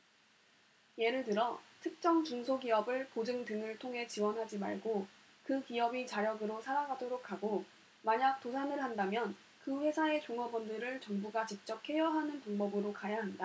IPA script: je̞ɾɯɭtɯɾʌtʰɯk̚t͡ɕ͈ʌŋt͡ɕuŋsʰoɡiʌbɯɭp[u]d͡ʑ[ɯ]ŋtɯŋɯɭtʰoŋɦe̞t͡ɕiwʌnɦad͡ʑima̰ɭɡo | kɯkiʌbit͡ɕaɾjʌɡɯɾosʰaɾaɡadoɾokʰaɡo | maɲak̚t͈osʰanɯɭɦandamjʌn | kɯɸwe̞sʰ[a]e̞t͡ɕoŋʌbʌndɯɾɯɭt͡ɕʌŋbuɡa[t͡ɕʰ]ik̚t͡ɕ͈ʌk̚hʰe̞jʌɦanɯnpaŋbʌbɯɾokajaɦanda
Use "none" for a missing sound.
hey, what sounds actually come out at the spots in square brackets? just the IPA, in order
o, ɯ, a, t͡ɕ

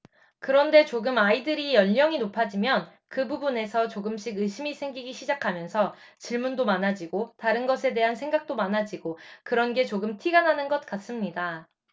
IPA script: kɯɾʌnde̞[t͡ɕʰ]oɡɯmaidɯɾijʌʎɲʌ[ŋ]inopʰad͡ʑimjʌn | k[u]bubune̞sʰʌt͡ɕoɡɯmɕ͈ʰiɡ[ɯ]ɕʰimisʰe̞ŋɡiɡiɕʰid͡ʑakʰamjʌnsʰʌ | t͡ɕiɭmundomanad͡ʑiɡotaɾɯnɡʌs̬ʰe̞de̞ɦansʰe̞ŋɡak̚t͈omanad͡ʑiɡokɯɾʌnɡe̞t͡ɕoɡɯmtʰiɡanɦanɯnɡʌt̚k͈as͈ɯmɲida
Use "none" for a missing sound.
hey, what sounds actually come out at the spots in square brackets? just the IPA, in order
t͡ɕ, ŋ, ɯ, ɯ

